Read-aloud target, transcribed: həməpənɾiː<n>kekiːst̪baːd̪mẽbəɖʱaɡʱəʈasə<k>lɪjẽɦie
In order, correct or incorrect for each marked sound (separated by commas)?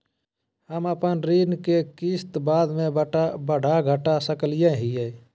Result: correct, correct